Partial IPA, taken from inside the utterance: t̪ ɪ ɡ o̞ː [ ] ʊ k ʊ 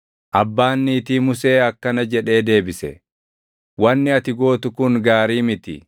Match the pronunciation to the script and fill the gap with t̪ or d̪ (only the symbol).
t̪